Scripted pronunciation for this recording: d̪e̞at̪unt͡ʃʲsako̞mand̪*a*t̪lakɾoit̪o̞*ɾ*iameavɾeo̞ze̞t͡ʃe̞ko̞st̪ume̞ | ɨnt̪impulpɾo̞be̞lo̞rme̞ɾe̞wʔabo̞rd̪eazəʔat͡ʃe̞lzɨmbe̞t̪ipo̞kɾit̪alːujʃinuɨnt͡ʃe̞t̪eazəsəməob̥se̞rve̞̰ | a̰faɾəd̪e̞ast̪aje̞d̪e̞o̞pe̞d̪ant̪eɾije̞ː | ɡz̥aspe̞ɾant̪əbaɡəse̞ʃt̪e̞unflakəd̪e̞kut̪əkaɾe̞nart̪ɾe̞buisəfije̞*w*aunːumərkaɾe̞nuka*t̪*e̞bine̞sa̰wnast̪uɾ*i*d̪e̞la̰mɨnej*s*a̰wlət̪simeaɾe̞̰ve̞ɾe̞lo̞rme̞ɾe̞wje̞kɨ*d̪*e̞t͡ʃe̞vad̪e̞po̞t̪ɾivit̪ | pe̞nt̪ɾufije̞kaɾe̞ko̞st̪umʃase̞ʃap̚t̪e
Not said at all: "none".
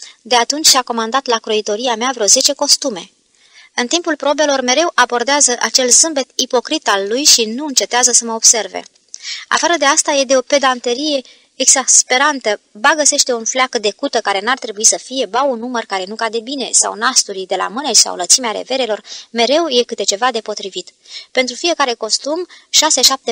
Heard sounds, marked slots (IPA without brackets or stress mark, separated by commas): a, ɾ, b, d̪, i, s, t̪